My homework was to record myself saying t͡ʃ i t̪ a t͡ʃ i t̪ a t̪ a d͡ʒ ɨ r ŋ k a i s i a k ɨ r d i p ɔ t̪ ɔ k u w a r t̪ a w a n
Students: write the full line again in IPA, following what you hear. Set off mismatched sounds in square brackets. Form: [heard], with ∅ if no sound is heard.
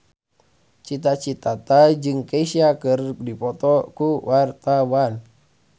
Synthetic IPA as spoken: t͡ʃ i t̪ a t͡ʃ i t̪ a t̪ a d͡ʒ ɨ [∅] ŋ k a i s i a k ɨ r d i p ɔ t̪ ɔ k u w a r t̪ a w a n

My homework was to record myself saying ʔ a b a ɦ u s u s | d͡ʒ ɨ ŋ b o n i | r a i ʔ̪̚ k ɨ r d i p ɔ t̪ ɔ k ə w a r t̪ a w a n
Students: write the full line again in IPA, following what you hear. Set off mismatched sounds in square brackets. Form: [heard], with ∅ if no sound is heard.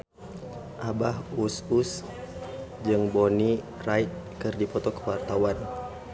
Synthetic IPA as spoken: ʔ a b a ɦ u s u s | d͡ʒ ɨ ŋ b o n i | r a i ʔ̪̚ k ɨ r d i p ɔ t̪ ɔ k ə w a r t̪ a w a n

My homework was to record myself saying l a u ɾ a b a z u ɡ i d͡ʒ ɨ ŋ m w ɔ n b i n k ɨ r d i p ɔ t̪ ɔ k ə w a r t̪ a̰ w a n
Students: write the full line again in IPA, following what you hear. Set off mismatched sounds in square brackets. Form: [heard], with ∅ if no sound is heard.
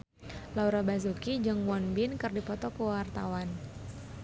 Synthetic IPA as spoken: l a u ɾ a b a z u [k] i d͡ʒ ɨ ŋ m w ɔ n b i n k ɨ r d i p ɔ t̪ ɔ k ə w a r t̪ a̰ w a n

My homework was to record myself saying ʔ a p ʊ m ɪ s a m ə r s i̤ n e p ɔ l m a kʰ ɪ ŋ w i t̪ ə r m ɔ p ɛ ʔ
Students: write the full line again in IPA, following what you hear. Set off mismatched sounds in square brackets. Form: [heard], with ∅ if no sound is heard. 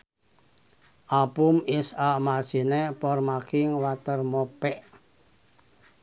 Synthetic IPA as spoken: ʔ a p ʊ m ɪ s a m [a] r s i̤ n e p ɔ [r] m a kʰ ɪ ŋ w [a] t̪ ə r m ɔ p ɛ ʔ

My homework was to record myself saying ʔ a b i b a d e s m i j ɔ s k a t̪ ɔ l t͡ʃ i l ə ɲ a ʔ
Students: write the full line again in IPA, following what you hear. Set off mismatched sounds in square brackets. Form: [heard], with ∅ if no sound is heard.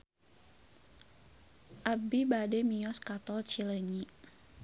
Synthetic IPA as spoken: ʔ a b i b a d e [∅] m i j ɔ s k a t̪ ɔ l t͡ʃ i l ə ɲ [i] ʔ

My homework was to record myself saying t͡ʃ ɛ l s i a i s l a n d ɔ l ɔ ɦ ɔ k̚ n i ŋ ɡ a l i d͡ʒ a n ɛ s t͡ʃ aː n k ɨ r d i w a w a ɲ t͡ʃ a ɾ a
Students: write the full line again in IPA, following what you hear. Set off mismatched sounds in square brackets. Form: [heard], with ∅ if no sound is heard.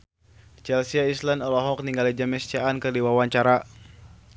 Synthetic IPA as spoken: t͡ʃ ɛ l s i a i s l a n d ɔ l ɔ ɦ ɔ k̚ n i ŋ ɡ a l i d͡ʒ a [m] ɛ s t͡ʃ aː n k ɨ r d i w a w a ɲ t͡ʃ a ɾ a

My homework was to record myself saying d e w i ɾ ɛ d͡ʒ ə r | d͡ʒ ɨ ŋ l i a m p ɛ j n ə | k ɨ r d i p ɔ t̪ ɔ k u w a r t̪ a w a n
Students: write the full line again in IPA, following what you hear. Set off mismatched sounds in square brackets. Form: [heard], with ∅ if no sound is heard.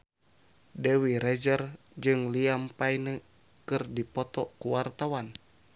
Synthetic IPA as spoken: d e w i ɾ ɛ d͡ʒ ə r | d͡ʒ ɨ ŋ l i a m p [a] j n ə | k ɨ r d i p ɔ t̪ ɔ k u w a r t̪ a w a n

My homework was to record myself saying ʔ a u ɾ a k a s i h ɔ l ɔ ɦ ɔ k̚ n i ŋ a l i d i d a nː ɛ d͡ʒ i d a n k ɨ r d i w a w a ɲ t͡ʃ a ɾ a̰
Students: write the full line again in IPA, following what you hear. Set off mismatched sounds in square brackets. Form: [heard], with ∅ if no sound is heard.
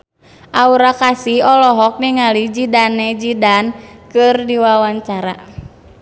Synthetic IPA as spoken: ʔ a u ɾ a k a s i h ɔ l ɔ ɦ ɔ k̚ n i ŋ a l i [d͡ʒ] i d a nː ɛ d͡ʒ i d a n k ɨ r d i w a w a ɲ t͡ʃ a ɾ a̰

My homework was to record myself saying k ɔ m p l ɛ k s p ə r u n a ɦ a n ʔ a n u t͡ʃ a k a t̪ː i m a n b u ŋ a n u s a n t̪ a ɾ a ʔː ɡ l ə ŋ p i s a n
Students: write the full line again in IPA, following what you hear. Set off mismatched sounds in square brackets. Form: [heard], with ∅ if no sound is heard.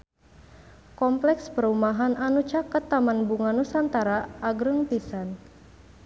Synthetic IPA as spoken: k ɔ m p l ɛ k s p ə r u [m] a ɦ a n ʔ a n u t͡ʃ a k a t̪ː [a] m a n b u ŋ a n u s a n t̪ a ɾ a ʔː ɡ [ɾ] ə ŋ p i s a n

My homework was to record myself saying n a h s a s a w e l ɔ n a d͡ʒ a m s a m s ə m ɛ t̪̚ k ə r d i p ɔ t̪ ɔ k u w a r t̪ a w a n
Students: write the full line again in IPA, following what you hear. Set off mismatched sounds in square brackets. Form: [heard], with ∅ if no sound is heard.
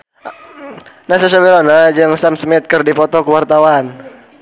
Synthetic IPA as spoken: n a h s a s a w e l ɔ n a d͡ʒ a [ŋ] s a m s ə m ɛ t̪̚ k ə r d i p ɔ t̪ ɔ k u w a r t̪ a w a n

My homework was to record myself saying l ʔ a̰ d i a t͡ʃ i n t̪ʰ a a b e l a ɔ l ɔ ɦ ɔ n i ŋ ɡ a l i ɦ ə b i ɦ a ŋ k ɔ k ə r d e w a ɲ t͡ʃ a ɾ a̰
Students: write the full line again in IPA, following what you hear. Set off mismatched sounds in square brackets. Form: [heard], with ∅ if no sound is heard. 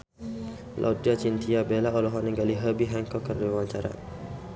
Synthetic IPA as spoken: l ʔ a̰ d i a t͡ʃ i n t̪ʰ [i] a b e l a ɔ l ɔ ɦ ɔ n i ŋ ɡ a l i ɦ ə b i ɦ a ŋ k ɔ k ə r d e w a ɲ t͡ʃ a ɾ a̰

